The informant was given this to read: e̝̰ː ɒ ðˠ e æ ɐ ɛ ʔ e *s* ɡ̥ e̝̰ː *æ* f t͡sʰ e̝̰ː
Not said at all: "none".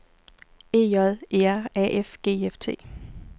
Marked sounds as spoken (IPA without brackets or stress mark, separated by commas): f, e